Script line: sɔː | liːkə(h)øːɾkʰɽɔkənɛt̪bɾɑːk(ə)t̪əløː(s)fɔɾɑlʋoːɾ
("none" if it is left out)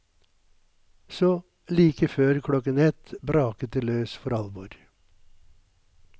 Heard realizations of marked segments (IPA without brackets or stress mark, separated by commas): f, ə, s